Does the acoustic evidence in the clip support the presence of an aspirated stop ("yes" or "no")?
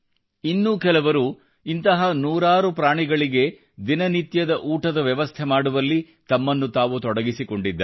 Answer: yes